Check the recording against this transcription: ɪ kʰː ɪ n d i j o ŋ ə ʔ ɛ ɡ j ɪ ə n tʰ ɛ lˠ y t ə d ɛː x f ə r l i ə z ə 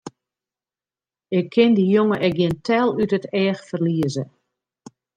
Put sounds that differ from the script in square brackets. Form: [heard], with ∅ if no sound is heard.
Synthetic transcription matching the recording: ɪ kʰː ɪ n d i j o ŋ ə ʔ ɛ ɡ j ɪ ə n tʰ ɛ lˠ y t ə [t] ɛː x f ə r l i ə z ə